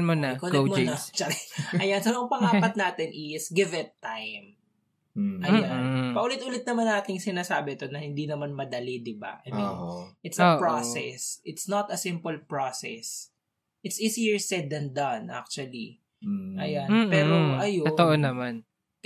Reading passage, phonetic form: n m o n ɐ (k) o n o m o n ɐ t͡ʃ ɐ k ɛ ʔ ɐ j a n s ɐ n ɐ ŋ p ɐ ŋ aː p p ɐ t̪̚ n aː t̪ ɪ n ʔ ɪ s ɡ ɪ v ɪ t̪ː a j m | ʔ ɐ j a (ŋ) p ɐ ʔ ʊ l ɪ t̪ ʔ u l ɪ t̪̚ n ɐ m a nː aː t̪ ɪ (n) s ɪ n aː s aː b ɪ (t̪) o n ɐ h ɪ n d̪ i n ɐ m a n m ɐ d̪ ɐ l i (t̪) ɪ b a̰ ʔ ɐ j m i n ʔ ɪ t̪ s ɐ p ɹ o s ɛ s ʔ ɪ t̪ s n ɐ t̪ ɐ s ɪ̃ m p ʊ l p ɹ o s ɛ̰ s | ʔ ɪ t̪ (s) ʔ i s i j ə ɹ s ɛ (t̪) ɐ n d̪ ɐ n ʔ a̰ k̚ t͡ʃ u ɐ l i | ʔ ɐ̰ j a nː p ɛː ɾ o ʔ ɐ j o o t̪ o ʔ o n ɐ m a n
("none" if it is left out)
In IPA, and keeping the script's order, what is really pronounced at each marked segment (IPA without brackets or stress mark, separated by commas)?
k, n, ŋ, t̪, d̪, s, d̪